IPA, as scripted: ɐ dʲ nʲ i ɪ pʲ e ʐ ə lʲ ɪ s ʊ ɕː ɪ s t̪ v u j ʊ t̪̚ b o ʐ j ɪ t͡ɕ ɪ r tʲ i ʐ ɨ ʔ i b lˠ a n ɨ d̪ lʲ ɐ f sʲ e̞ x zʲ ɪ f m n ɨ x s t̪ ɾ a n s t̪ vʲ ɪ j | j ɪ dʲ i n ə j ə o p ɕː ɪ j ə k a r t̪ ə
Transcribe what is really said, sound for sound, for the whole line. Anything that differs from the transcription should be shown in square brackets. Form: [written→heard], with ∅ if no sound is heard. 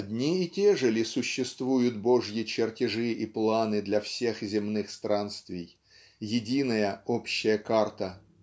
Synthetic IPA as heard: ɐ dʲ nʲ i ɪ [pʲ→tʲ] e ʐ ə lʲ ɪ s ʊ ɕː ɪ s t̪ v u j ʊ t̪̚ b o ʐ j ɪ t͡ɕ ɪ r tʲ [i→ɪ] ʐ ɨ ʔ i [b→p] lˠ a n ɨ d̪ lʲ ɐ f sʲ e̞ x zʲ ɪ [f→∅] m n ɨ x s t̪ ɾ a n s t̪ vʲ ɪ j | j ɪ dʲ i n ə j ə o p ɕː ɪ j ə k a r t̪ ə